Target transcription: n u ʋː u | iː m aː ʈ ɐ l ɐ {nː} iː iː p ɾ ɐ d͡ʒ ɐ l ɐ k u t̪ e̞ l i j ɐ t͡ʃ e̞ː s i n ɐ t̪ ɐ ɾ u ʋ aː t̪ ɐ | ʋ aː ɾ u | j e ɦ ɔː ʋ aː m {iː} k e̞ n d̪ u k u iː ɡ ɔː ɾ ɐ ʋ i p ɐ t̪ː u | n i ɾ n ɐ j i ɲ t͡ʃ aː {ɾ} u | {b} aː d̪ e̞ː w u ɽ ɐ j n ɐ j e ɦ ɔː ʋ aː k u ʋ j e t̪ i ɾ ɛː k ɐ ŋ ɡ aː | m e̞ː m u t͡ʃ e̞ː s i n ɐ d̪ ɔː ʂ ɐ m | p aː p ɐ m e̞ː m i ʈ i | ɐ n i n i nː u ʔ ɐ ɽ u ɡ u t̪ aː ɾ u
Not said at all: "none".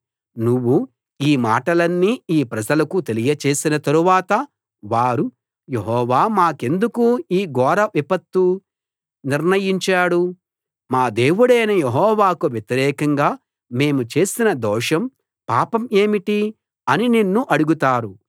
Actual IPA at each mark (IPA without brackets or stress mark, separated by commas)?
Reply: nː, aː, ɽ, m